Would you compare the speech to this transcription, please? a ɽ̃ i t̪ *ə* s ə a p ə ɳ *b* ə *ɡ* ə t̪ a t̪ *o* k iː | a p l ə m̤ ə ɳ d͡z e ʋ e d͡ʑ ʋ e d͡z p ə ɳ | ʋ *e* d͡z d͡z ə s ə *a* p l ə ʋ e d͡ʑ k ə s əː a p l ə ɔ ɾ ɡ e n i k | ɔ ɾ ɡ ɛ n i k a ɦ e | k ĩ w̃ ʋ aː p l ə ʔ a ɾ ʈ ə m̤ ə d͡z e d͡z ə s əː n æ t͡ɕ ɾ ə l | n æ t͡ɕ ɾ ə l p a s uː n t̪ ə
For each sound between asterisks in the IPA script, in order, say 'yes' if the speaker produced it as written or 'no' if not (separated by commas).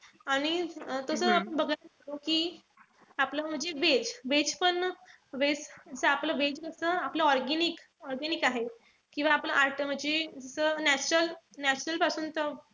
yes, yes, yes, yes, yes, yes